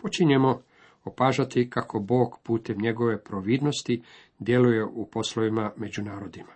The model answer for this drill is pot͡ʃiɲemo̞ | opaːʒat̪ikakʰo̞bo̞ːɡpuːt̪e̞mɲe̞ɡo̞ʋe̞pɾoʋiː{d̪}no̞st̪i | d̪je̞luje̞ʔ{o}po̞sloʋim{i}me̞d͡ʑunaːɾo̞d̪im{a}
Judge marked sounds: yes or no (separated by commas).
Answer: yes, no, no, yes